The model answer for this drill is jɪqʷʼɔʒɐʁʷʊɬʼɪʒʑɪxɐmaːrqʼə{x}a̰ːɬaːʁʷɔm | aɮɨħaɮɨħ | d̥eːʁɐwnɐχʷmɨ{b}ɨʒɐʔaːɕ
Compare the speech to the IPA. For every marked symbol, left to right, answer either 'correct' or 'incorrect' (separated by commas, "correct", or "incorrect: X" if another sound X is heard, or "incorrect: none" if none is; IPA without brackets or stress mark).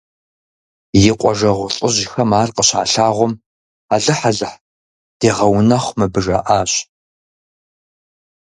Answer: incorrect: ɕ, correct